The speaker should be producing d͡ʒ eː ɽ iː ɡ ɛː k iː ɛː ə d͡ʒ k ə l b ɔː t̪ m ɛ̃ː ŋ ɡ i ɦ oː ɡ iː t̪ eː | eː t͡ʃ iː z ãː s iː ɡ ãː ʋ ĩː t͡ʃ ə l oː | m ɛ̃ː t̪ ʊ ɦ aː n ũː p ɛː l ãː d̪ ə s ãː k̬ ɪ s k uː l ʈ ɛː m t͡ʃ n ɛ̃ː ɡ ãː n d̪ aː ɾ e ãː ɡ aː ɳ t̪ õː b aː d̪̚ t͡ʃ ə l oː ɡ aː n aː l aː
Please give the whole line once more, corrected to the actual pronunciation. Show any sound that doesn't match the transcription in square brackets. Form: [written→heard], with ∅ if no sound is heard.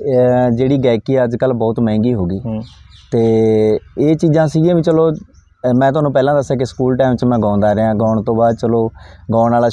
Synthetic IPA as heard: d͡ʒ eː ɽ iː ɡ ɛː k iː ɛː ə d͡ʒ k ə l b ɔː t̪ m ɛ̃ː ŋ ɡ [i→iː] ɦ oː ɡ iː t̪ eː | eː t͡ʃ iː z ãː s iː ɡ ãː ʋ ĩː t͡ʃ ə l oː | m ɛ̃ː t̪ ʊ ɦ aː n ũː p ɛː l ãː d̪ ə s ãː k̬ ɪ s k uː l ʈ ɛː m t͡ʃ [n→m] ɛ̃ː ɡ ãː n d̪ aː ɾ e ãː ɡ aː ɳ t̪ õː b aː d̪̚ t͡ʃ ə l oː ɡ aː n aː l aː